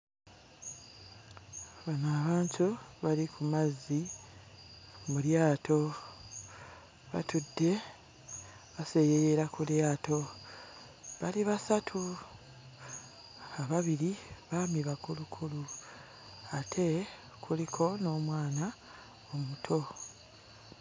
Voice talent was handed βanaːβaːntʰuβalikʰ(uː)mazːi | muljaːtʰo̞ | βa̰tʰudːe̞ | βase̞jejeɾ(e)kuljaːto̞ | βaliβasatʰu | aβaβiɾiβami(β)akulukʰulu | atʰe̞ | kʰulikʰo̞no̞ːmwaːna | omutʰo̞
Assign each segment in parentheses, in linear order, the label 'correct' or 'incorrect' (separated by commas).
incorrect, incorrect, correct